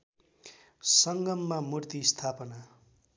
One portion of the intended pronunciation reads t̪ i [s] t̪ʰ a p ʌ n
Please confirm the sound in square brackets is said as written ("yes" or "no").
yes